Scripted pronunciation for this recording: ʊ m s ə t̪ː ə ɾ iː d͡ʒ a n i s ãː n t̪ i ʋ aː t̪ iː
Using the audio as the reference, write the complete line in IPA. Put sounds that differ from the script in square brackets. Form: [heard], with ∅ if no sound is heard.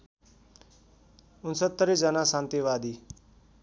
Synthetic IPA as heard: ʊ [n] s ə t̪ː ə ɾ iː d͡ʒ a n [a] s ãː n t̪ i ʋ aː [d̪] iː